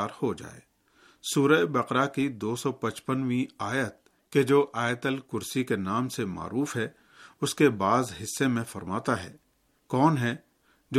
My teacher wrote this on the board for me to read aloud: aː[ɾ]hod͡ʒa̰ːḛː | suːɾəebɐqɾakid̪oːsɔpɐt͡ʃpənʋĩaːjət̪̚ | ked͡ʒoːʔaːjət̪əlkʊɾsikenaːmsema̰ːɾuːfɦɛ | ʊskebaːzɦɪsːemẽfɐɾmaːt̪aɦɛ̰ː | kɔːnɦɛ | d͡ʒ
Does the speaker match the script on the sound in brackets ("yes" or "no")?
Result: yes